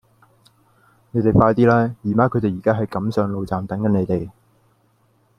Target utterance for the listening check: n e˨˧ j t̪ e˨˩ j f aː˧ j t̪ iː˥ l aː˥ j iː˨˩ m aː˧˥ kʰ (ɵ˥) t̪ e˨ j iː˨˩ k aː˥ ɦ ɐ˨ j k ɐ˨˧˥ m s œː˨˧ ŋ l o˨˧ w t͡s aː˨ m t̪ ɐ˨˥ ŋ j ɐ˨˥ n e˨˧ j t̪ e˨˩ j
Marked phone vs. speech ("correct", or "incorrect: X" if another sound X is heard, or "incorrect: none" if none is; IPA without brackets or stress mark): incorrect: ɵ˨˧